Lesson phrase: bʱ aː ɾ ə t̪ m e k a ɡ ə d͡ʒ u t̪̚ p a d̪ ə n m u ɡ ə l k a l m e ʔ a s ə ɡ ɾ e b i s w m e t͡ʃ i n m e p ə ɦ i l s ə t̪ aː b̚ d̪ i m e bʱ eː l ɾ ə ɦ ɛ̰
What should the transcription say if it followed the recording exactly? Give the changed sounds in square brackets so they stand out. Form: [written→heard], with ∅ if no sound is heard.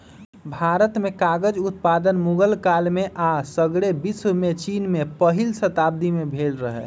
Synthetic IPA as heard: bʱ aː ɾ ə t̪ m e k a ɡ ə d͡ʒ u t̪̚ p a d̪ ə n m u ɡ ə l k a l m e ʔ a s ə ɡ [ɾ→ɽ] e b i s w m e t͡ʃ i n m e p ə ɦ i l s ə t̪ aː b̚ d̪ i m e bʱ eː l ɾ ə ɦ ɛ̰